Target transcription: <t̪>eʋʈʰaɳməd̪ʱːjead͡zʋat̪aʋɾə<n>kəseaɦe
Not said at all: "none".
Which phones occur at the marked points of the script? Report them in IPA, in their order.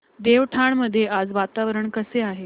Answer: d̪, ɳ

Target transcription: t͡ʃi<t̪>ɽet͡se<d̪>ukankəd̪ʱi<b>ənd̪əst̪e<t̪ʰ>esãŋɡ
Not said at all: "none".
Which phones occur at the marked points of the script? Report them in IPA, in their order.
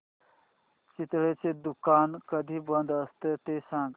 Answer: t̪, d̪, b, t̪

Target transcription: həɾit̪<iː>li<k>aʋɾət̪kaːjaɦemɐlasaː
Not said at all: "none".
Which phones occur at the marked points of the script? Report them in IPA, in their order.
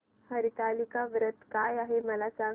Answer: aː, k

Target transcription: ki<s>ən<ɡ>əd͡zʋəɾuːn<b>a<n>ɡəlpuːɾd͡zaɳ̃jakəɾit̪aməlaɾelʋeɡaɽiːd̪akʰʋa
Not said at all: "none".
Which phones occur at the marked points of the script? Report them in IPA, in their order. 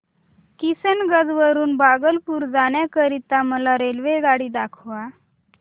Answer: s, ɡ, b, none

